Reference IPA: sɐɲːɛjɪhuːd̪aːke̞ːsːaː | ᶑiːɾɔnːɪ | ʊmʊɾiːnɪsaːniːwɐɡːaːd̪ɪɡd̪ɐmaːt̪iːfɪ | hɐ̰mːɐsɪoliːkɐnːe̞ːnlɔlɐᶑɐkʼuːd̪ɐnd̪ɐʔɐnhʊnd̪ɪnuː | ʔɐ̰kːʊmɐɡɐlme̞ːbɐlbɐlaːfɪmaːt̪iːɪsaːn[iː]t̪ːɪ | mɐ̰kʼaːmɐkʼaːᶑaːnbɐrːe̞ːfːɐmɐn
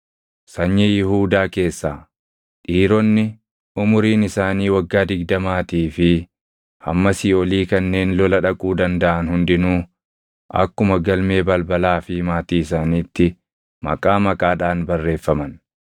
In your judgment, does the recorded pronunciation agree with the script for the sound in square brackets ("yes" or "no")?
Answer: yes